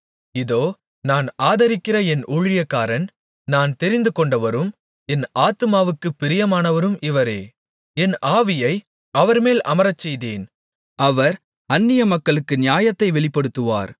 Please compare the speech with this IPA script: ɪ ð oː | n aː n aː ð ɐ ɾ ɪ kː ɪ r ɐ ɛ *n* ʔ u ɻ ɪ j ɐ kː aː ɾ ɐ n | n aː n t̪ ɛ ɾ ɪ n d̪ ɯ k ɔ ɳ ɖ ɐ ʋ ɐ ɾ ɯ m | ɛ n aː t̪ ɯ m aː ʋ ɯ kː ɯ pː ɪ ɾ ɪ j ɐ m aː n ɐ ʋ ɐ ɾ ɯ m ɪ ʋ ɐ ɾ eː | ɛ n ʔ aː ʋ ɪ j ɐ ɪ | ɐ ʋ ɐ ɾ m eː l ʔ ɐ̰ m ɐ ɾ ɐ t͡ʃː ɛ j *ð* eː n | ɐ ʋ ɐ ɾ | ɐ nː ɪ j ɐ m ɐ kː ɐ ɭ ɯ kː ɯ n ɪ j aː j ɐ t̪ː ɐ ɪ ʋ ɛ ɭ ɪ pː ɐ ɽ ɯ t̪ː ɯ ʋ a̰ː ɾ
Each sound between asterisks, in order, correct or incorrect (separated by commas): correct, correct